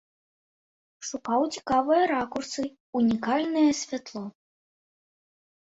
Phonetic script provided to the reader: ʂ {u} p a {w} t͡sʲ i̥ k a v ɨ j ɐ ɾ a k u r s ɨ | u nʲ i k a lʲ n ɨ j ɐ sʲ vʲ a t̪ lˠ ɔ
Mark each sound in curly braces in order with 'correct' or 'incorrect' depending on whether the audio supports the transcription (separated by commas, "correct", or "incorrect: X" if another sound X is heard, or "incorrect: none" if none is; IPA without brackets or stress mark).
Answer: correct, correct